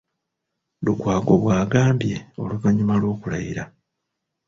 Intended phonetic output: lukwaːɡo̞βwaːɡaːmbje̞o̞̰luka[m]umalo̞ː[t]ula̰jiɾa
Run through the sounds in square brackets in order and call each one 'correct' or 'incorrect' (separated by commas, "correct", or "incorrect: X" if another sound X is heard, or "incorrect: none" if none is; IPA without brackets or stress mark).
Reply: incorrect: ɲ, incorrect: k